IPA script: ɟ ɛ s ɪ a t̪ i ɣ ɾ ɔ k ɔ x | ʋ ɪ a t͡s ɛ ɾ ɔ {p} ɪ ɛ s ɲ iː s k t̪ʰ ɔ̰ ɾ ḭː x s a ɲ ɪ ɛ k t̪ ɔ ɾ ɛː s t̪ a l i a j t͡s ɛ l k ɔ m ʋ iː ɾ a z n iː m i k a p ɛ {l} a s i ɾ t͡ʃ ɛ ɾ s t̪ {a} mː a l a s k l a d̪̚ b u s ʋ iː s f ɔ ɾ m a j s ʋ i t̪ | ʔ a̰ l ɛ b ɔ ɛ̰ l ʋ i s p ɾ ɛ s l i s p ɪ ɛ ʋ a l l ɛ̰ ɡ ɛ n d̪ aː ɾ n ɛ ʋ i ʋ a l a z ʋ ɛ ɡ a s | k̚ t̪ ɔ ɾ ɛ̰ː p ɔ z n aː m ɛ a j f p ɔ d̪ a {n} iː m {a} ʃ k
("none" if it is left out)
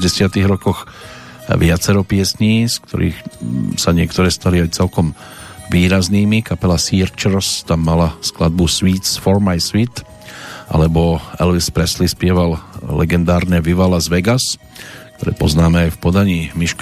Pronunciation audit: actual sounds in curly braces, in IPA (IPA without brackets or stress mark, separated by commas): p, l, a, ɲ, i